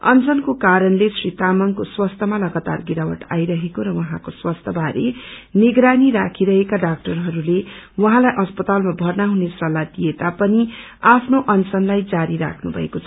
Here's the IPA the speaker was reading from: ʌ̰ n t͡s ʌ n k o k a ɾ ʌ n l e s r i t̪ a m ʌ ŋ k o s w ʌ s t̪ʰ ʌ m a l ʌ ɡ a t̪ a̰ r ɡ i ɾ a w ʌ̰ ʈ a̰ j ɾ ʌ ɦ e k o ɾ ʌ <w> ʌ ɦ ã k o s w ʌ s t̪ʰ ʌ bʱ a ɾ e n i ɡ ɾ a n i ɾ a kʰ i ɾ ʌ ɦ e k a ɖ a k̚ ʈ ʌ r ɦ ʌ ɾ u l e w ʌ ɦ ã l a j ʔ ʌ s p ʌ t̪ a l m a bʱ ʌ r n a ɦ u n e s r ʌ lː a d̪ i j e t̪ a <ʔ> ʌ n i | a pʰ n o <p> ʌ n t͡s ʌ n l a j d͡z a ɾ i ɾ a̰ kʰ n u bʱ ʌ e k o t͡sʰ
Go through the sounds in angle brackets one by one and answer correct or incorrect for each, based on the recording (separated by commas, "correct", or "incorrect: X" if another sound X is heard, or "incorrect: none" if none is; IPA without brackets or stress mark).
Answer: correct, incorrect: p, incorrect: ʔ